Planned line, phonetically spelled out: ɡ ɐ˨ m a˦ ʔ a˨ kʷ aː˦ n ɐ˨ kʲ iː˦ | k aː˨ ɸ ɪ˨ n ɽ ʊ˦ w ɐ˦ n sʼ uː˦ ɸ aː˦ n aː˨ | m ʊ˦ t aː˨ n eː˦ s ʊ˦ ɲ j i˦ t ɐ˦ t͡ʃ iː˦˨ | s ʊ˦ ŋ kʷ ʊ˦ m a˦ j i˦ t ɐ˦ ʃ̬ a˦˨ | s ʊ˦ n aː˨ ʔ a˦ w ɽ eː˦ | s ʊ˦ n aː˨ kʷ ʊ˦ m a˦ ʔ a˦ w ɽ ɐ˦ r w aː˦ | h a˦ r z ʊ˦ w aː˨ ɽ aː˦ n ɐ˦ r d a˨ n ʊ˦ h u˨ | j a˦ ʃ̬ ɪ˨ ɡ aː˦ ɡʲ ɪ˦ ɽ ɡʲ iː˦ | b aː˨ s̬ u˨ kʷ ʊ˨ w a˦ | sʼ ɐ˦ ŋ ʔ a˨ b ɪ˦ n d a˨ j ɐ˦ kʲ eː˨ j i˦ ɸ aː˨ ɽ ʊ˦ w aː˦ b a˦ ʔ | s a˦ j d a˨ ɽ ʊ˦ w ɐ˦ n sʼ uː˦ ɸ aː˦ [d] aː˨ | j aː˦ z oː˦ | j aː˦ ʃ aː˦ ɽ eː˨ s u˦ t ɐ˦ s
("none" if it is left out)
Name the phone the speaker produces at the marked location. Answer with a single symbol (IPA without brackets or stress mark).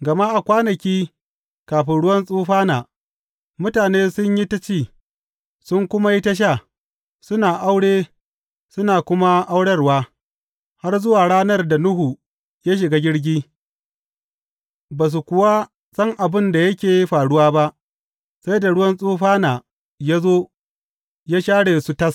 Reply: n